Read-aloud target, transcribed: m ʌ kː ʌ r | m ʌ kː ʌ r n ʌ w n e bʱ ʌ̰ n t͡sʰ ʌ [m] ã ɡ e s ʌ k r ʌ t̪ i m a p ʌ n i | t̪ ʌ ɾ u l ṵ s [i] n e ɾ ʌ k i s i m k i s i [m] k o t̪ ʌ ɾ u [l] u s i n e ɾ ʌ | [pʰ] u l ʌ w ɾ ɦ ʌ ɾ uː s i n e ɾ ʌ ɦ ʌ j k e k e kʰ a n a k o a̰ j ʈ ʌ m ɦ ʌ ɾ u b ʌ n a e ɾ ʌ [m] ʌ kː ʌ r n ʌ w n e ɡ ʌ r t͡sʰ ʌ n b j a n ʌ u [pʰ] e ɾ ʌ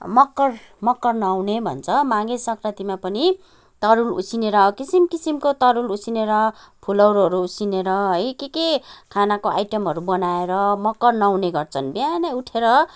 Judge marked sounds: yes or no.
yes, yes, yes, yes, yes, yes, no

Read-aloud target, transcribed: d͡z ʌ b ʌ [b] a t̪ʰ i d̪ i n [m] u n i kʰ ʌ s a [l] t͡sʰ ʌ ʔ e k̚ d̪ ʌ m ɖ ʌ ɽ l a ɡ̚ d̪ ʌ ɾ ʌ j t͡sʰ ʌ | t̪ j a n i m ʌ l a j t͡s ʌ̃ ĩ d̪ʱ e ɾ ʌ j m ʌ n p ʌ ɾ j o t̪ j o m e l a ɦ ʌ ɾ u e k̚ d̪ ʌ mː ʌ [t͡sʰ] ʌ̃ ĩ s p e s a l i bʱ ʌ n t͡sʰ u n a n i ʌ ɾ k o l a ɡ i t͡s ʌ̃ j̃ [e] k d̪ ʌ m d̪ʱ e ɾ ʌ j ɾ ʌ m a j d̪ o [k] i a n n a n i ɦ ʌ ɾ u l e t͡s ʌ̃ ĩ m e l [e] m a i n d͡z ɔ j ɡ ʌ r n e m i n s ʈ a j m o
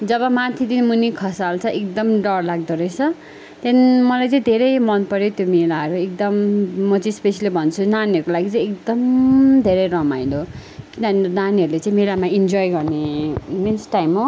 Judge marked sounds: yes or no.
no, yes, yes, no, yes, yes, no

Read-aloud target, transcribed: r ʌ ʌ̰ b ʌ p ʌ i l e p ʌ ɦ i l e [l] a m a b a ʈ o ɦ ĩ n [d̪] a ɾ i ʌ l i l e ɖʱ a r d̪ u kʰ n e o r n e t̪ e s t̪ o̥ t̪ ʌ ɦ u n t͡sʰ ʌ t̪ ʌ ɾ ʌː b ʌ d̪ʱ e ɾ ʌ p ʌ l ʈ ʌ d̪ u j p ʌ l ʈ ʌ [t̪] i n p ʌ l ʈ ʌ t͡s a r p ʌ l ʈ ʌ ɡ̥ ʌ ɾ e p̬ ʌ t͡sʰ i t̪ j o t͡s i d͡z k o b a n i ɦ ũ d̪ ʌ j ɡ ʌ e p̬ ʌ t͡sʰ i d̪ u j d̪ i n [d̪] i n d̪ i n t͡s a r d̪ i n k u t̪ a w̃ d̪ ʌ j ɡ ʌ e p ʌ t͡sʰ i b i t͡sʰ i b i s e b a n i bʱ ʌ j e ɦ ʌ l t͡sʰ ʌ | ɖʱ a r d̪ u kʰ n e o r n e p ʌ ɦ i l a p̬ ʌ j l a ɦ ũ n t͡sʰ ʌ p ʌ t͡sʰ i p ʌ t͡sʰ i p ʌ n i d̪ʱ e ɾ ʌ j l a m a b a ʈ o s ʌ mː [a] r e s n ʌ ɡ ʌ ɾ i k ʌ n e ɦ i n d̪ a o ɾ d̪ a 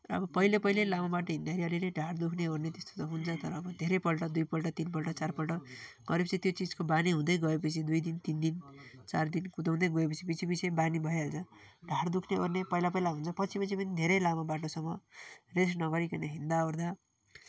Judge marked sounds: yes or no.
yes, yes, yes, no, no

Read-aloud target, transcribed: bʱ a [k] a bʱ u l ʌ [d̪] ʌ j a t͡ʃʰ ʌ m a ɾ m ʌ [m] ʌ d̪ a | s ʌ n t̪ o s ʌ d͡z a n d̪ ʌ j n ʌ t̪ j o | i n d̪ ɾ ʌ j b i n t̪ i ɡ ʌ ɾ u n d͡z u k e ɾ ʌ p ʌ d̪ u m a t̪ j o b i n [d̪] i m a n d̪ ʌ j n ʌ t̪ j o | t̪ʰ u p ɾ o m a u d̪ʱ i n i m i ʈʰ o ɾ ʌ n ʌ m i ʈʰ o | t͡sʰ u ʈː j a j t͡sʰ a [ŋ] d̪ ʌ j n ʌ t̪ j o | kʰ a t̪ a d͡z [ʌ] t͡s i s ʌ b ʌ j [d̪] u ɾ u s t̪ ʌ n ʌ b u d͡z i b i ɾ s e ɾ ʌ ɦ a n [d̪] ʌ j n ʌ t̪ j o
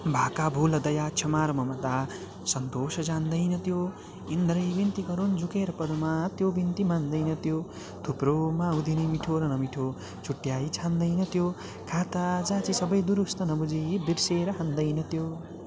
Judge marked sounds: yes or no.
yes, yes, yes, no, no, no, yes, yes

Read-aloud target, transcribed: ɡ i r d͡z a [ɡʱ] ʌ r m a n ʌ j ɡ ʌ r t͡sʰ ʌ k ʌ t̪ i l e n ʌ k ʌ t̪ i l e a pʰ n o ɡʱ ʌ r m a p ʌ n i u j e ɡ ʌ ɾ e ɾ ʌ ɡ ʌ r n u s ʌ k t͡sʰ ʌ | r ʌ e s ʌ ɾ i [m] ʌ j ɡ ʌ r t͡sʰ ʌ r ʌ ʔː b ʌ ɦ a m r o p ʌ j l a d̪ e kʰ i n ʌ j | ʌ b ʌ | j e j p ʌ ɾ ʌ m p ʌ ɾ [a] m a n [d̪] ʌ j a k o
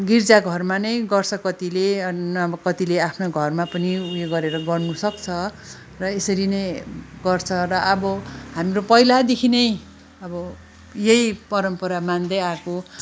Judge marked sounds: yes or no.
yes, no, yes, yes

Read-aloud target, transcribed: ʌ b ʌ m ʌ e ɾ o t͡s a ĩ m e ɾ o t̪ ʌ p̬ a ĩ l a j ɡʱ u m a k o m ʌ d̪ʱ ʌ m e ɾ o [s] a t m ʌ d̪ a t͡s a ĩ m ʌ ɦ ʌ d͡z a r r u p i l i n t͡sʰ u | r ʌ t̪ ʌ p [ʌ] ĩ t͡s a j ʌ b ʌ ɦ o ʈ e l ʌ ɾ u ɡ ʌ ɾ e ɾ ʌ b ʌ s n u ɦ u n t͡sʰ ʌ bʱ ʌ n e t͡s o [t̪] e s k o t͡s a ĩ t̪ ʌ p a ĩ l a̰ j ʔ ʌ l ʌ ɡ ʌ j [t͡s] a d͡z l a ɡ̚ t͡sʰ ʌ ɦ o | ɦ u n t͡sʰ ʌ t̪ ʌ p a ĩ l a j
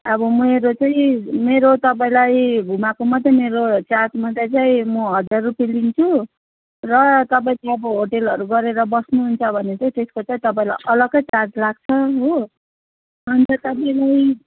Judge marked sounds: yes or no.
no, no, yes, yes

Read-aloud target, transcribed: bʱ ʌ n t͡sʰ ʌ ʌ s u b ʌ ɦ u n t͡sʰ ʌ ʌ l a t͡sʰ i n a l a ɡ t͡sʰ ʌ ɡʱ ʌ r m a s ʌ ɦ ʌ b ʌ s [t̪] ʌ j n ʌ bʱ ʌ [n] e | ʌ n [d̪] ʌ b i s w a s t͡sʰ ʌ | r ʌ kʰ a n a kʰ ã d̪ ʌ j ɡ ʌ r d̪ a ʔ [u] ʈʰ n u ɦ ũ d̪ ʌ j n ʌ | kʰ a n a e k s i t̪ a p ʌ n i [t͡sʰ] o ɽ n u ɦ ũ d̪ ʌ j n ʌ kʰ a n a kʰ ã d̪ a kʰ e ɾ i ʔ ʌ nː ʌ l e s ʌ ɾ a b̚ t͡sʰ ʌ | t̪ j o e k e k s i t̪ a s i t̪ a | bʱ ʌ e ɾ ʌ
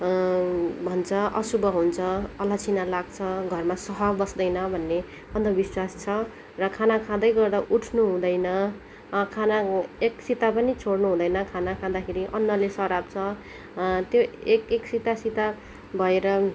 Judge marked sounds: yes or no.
no, no, yes, yes, yes

